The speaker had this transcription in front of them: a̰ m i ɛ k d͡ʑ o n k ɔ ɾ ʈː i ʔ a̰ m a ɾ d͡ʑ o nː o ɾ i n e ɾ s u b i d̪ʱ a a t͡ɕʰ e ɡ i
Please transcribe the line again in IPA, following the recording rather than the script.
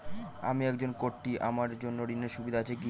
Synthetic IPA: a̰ m i ɛ k d͡ʑ o n k o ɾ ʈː i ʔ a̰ m a ɾ d͡ʑ o nː o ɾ i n e ɾ ʃ u b i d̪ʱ a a t͡ɕʰ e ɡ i

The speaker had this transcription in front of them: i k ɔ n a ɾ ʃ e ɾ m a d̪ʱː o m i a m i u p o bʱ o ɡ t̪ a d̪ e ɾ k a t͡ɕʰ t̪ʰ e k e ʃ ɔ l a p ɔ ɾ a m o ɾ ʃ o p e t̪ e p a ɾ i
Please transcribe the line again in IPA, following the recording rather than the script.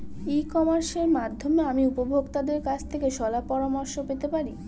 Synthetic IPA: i k ɔ m a ɾ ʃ e ɾ m a d̪ʱː o m e a m i u p o bʱ o ɡ t̪ a d̪ e ɾ k a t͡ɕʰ t̪ʰ e k e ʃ ɔ l a p ɔ ɾ a m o ɾ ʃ o p e t̪ e p a ɾ i

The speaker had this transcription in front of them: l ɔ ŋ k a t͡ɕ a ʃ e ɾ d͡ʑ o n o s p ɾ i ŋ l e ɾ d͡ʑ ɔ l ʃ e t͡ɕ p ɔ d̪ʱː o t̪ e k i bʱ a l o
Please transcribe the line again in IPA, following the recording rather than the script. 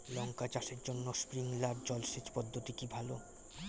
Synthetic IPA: l ɔ ŋ k a t͡ɕ a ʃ e ɾ d͡ʑ o nː o s p ɾ i ŋ l a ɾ d͡ʑ ɔ l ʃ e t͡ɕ p ɔ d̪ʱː o t̪ i k i bʱ a l o

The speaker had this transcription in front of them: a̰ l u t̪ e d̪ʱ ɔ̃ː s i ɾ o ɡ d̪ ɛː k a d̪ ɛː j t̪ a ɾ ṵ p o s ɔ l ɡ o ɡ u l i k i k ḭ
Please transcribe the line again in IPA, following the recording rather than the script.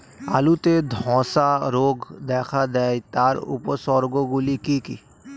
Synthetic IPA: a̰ l u t̪ e d̪ʱ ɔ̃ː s a ɾ o ɡ d̪ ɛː kʰ a d̪ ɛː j t̪ a ɾ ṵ p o s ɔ ɾ ɡ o ɡ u l i k i k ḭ

